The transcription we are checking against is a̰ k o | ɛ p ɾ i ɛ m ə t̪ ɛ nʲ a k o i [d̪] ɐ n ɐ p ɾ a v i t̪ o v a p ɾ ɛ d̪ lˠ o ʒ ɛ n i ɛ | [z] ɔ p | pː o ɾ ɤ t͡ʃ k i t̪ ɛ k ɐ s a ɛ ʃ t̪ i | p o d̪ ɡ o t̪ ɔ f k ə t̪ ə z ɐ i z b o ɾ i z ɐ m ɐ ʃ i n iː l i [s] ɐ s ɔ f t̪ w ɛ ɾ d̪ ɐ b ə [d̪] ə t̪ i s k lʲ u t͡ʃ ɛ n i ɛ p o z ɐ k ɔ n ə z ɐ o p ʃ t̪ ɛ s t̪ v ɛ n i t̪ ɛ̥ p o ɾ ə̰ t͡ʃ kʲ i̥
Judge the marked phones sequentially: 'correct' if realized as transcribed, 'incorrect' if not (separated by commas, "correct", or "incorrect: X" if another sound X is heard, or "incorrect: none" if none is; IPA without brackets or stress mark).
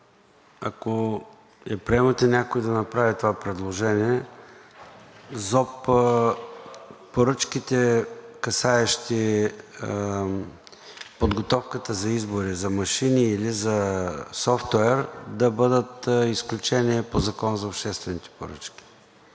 correct, correct, incorrect: z, correct